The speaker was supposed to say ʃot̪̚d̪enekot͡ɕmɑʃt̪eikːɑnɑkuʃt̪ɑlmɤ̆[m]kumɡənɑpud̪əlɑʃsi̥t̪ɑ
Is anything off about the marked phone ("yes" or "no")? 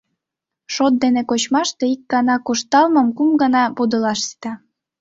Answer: no